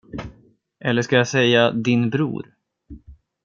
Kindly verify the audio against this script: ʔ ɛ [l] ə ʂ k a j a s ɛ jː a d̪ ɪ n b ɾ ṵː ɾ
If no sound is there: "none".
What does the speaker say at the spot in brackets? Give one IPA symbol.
lː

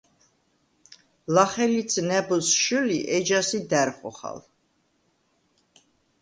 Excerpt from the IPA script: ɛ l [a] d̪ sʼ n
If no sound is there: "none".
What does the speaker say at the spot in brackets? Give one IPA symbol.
i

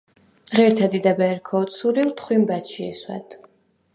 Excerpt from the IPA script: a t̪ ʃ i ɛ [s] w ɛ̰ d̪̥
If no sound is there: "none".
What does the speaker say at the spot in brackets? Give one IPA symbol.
s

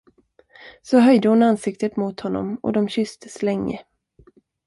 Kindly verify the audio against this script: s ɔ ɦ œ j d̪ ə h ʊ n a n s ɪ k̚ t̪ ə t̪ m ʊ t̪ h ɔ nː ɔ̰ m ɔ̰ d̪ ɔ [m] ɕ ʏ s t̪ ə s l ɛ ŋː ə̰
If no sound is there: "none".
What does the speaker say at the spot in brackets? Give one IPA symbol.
m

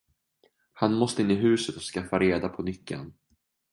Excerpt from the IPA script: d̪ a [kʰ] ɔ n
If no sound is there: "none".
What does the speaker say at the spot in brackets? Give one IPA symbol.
pʰ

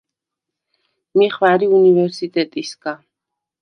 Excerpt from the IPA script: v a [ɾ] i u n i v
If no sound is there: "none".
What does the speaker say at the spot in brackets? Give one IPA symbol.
ɾ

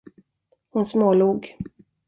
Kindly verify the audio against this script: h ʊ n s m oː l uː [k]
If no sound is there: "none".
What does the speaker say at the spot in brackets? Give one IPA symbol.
ɡ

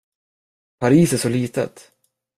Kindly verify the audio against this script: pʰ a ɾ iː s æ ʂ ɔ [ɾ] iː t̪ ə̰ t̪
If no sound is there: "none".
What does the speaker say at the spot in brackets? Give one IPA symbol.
l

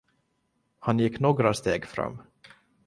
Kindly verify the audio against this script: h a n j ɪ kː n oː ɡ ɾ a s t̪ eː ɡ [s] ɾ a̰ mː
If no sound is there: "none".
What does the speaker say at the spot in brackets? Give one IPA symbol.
f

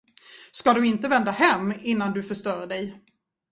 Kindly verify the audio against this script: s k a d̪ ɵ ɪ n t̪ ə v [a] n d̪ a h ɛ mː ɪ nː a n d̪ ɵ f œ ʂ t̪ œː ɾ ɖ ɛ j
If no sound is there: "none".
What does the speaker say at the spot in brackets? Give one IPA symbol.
ɛ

